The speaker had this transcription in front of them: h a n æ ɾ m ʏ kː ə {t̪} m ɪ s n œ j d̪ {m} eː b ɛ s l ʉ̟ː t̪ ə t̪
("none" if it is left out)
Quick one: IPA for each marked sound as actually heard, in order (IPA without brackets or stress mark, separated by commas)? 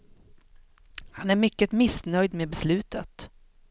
t̪, m